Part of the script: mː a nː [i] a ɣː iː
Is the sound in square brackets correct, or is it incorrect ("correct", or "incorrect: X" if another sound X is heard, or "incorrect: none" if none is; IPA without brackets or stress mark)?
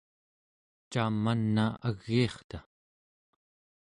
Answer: incorrect: a